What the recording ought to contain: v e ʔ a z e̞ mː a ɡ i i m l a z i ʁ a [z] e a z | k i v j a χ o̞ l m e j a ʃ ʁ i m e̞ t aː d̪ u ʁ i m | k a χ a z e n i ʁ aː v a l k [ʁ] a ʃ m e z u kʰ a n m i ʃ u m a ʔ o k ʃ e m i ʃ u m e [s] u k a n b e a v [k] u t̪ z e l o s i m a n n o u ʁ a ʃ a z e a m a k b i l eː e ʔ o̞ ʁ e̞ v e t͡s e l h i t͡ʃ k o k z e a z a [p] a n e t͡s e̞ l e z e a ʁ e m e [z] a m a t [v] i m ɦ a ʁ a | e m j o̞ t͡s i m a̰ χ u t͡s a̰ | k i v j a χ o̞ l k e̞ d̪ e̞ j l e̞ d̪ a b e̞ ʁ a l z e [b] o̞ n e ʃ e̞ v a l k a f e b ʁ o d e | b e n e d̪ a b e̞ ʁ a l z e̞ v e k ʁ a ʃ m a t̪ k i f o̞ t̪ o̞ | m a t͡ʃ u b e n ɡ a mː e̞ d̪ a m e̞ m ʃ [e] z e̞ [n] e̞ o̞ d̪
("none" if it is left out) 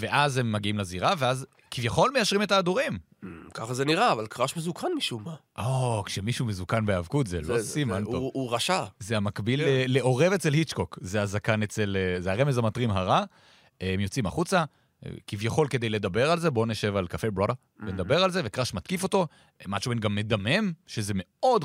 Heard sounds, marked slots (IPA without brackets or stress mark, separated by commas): v, ʁ, z, k, k, z, ʁ, b, e, m